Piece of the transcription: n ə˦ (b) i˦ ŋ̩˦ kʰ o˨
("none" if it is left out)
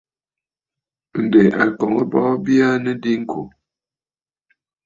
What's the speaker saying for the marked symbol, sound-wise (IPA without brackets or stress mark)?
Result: d